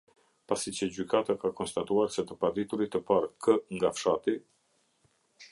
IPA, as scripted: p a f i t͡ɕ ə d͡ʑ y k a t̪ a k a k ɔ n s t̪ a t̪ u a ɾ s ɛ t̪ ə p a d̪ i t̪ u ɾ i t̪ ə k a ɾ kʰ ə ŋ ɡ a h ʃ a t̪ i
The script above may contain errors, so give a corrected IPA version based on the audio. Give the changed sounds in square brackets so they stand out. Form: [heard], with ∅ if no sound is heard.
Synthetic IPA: p a [s] i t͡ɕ ə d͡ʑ y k a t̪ a k a k ɔ n s t̪ a t̪ u a ɾ s ɛ t̪ ə p a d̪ i t̪ u ɾ i t̪ ə [p] a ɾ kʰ ə ŋ ɡ a [f] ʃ a t̪ i